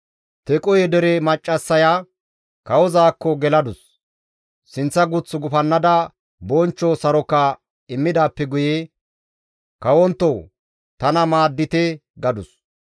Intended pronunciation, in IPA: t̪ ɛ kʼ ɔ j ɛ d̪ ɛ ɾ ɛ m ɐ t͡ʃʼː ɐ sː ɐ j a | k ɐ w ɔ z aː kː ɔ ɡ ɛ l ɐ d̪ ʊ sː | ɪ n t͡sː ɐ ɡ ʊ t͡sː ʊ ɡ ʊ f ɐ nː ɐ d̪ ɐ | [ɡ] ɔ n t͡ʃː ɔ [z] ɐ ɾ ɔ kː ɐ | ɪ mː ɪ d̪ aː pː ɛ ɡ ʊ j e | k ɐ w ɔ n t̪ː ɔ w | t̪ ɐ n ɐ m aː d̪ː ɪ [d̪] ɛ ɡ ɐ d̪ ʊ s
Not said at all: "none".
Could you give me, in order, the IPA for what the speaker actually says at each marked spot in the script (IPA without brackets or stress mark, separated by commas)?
b, s, t̪